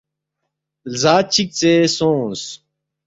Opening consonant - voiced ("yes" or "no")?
yes